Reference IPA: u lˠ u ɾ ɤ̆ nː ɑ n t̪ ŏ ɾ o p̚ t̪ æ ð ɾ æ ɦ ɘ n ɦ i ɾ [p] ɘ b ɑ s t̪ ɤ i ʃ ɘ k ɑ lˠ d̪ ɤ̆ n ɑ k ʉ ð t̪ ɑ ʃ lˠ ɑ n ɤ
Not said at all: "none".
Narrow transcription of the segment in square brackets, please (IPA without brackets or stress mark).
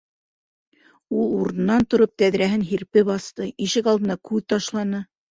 p